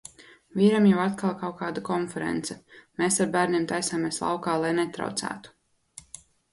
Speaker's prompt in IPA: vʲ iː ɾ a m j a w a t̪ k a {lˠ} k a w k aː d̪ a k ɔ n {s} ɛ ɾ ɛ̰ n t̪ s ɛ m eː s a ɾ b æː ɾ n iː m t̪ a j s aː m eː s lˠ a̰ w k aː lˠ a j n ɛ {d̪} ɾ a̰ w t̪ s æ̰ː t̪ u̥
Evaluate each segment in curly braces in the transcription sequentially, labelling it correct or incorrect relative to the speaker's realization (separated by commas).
correct, incorrect, incorrect